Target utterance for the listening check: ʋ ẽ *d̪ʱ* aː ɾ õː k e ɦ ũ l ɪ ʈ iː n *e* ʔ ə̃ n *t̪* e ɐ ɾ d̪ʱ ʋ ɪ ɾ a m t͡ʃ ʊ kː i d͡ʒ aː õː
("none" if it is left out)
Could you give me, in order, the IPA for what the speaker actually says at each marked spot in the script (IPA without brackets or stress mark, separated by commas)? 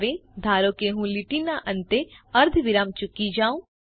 d̪ʱ, a, t̪